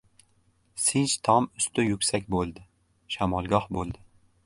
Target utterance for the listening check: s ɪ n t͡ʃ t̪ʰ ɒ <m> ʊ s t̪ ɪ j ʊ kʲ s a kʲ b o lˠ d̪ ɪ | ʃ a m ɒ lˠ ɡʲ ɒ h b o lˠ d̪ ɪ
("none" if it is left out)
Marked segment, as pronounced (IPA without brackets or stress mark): m